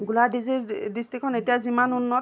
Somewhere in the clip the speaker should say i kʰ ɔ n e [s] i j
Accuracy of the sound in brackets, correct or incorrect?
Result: incorrect